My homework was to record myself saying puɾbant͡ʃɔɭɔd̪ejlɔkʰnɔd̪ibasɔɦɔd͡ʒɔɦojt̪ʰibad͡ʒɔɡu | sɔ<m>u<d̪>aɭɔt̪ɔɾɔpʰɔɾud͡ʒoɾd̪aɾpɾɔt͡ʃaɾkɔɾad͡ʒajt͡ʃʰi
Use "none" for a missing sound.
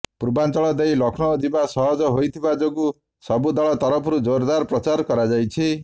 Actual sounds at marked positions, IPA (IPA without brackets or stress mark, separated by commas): b, d̪